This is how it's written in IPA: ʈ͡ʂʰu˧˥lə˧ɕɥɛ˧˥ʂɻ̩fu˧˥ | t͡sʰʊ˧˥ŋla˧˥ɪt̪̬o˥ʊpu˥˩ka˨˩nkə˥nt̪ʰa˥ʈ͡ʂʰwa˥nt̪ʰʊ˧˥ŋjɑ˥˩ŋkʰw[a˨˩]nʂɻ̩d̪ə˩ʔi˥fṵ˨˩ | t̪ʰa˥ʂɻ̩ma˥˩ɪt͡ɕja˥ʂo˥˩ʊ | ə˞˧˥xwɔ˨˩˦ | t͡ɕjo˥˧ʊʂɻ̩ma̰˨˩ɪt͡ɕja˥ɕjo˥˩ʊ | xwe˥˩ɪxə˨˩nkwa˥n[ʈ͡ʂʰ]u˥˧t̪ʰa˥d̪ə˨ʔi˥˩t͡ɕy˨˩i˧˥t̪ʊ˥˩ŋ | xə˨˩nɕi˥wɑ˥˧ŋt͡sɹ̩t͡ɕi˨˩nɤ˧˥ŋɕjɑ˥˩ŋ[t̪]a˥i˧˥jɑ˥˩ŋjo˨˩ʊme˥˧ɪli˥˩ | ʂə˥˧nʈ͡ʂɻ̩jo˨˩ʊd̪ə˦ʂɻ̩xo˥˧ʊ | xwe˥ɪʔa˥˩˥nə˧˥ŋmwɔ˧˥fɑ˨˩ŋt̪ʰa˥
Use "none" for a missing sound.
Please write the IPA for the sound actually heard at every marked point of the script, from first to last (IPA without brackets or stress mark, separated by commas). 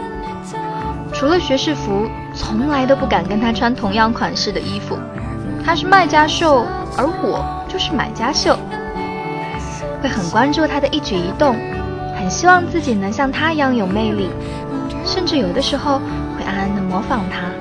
a˨˩, ʈ͡ʂ, t̪ʰ